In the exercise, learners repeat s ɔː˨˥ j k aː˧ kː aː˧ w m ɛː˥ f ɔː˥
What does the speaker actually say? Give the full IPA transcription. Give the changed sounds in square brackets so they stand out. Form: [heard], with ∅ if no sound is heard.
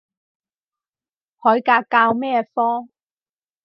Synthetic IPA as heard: [h] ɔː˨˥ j k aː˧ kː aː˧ w m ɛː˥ f ɔː˥